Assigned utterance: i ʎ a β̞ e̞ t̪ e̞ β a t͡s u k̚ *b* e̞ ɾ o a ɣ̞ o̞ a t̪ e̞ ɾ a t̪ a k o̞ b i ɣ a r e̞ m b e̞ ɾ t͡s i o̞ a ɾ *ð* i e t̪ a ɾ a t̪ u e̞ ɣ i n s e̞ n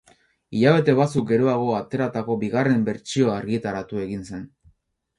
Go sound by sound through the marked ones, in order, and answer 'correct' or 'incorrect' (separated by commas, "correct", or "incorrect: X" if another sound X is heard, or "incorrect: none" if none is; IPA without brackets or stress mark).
incorrect: ɡ, incorrect: ɣ